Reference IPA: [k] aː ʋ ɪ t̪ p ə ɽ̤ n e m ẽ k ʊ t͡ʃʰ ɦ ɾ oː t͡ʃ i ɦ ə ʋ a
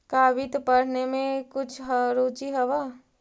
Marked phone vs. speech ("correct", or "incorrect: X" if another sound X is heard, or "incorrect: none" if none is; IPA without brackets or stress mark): correct